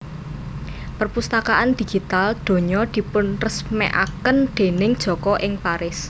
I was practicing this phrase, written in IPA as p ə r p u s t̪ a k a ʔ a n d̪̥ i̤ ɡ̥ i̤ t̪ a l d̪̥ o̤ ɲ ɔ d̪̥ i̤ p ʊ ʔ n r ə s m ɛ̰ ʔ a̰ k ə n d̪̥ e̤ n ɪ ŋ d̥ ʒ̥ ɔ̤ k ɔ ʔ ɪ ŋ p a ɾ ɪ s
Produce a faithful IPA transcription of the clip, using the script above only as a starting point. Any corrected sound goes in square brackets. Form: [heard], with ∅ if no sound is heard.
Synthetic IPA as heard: p ə r p u s t̪ a k a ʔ a n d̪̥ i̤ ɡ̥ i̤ t̪ a l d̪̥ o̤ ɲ ɔ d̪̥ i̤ p ʊ [∅] n r ə s m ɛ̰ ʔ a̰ k ə n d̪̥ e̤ n ɪ ŋ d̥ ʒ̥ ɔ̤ k ɔ ʔ ɪ ŋ p a ɾ ɪ s